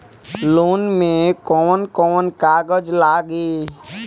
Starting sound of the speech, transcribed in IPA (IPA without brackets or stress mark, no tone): l